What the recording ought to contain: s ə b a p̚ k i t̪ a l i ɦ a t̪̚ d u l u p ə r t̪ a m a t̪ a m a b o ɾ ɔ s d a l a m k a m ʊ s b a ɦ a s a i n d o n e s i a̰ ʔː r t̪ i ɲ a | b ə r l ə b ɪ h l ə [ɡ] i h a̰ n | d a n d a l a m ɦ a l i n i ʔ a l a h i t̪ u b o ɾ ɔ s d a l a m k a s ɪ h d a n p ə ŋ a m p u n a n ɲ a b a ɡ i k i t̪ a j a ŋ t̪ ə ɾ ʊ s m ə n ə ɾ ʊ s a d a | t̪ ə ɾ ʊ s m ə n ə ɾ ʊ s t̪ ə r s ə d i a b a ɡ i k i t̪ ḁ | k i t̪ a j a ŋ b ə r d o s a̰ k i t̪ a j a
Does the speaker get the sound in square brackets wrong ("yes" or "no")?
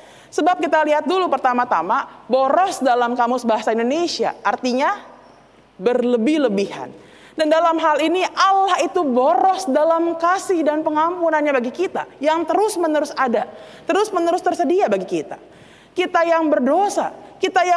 yes